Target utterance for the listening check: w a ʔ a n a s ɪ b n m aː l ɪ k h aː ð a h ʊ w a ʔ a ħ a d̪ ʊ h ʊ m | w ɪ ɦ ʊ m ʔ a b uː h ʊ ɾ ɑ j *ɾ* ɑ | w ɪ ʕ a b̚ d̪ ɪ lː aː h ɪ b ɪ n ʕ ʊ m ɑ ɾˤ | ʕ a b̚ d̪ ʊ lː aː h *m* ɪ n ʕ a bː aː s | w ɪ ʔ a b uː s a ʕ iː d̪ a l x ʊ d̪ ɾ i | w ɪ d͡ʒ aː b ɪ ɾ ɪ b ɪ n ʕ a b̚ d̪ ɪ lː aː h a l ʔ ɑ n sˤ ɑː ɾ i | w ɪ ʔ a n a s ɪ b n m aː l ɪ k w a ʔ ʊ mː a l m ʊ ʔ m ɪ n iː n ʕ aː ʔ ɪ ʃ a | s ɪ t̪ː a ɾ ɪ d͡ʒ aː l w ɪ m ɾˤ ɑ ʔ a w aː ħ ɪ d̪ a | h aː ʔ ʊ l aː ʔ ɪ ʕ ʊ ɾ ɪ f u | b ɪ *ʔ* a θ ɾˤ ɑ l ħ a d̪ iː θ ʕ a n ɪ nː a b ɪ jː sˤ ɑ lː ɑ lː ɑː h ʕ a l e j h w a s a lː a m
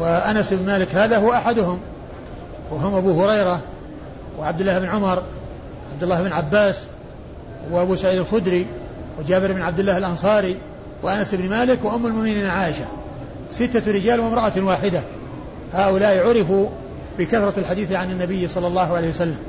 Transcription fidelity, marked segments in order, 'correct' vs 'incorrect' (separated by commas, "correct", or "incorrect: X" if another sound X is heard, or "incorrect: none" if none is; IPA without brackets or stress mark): correct, incorrect: b, incorrect: k